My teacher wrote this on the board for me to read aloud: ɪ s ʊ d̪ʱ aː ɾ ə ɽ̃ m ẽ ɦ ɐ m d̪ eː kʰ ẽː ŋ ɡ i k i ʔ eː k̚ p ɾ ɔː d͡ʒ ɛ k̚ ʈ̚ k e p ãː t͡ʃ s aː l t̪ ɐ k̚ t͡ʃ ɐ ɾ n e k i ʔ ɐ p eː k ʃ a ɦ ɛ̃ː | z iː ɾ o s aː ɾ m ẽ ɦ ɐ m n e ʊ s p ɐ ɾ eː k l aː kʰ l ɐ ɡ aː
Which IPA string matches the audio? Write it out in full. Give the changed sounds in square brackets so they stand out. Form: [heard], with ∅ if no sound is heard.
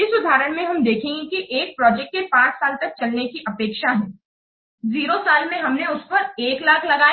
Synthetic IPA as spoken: ɪ s ʊ d̪ʱ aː ɾ ə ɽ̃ m ẽ ɦ ɐ m d̪ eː kʰ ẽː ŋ ɡ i k i ʔ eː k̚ p ɾ ɔː d͡ʒ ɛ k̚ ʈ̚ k e p ãː t͡ʃ s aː l t̪ ɐ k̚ t͡ʃ ɐ [l] n e k i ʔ ɐ p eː k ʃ a ɦ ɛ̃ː | z iː ɾ o s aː [l] m ẽ ɦ ɐ m n e ʊ s p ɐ ɾ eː k l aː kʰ l ɐ ɡ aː